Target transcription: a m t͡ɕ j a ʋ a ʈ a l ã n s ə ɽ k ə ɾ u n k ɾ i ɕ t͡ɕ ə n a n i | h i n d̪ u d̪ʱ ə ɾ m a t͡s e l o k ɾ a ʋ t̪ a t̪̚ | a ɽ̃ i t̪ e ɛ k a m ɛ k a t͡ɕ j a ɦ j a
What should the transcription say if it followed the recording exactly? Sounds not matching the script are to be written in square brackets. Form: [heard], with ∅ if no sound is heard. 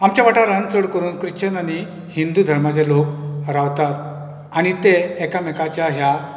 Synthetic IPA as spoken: a m t͡ɕ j a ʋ a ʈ a [ɾ] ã n [t͡s] ə ɽ k ə ɾ [uː] n k ɾ i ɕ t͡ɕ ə n a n i | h i n d̪ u d̪ʱ ə ɾ m a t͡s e l o k ɾ a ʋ t̪ a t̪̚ | a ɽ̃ i t̪ e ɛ k a m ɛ k a t͡ɕ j a ɦ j a